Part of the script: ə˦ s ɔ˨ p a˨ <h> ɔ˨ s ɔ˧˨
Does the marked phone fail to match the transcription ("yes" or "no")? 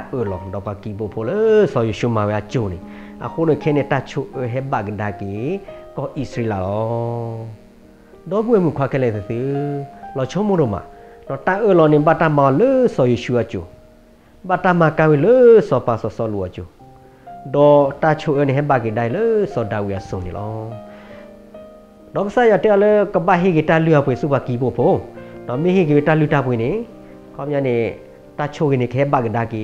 yes